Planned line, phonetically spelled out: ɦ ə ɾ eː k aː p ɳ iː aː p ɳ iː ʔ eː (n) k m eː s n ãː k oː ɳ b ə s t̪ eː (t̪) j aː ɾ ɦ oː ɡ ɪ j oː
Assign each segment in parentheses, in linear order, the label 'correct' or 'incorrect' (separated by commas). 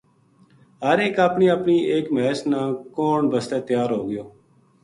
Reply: incorrect, correct